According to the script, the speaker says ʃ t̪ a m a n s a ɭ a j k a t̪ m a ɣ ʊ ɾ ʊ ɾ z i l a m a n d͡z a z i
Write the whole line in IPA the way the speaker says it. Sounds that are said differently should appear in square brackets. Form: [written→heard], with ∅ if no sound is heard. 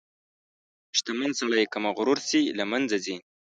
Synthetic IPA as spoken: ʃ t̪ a m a n s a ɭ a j k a [t̪→∅] m a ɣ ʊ ɾ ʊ ɾ [z→s] i l a m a n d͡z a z i